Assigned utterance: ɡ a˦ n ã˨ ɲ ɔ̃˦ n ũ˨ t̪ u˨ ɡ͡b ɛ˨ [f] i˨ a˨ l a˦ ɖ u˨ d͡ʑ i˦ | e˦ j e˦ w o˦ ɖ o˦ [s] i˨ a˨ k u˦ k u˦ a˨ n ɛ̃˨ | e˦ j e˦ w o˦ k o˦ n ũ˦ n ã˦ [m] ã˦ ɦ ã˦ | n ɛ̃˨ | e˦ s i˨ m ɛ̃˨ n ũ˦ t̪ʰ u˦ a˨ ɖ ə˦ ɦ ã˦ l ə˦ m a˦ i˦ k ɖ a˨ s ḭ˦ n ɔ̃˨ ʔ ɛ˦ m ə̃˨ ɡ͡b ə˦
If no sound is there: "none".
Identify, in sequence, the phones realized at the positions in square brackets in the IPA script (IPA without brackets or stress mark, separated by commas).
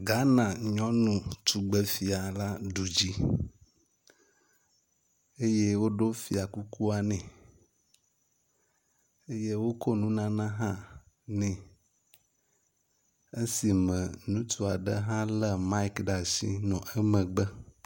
f, f, n